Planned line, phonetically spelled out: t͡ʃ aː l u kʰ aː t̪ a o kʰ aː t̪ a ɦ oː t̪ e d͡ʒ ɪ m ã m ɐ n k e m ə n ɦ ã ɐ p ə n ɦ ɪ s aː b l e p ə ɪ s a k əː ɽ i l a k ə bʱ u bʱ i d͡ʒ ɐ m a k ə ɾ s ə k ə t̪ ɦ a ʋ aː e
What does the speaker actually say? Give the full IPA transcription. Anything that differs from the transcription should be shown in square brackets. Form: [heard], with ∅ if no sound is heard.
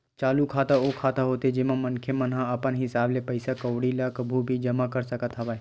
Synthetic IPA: t͡ʃ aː l u kʰ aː t̪ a o kʰ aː t̪ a ɦ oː t̪ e d͡ʒ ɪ m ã m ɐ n [kʰ] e m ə n ɦ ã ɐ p ə n ɦ ɪ s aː b l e p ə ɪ s a k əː ɽ i l a k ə bʱ u bʱ i d͡ʒ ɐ m a k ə ɾ s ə k ə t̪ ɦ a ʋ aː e